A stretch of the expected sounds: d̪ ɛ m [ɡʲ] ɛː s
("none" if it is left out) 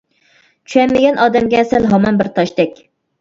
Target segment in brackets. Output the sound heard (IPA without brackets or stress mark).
ɡʲ